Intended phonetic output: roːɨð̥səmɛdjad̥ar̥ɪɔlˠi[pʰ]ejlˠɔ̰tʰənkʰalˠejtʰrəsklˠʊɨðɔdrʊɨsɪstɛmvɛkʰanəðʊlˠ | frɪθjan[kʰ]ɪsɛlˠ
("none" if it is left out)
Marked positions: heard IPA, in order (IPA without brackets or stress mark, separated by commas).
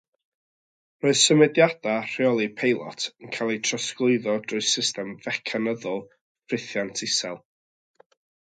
pʰ, tʰ